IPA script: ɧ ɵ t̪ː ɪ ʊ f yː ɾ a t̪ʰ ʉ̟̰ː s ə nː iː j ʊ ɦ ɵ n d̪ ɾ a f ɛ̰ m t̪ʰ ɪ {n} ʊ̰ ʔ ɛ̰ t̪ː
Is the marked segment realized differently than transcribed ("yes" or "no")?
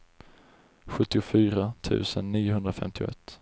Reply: yes